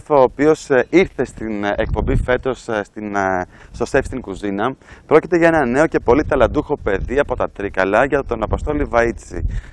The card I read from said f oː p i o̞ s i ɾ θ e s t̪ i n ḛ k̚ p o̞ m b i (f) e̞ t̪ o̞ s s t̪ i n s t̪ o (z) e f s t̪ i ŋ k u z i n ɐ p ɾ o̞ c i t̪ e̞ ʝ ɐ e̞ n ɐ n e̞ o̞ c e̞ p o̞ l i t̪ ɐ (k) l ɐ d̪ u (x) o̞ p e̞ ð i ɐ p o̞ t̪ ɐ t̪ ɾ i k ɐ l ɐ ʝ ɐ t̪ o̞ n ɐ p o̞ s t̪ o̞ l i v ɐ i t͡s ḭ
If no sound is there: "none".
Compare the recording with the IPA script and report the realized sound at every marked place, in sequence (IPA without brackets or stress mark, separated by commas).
f, s, none, x